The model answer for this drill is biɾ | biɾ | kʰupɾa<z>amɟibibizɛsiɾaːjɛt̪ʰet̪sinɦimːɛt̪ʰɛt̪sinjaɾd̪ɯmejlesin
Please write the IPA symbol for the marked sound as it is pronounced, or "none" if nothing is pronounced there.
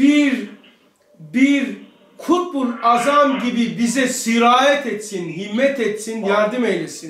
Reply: z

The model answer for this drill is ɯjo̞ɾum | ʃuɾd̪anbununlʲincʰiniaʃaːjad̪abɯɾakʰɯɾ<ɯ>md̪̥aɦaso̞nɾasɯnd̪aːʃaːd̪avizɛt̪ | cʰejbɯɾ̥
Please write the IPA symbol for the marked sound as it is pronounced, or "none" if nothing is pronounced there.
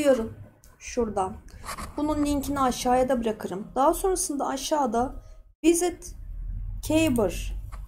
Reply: ɯ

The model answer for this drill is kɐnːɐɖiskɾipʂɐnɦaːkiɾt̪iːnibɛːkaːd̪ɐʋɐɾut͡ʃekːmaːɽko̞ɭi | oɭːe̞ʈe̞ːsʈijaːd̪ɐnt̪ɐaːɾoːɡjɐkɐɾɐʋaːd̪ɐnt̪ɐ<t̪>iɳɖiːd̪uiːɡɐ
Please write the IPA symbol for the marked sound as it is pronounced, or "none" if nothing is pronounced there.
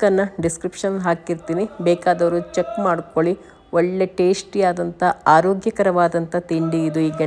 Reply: t̪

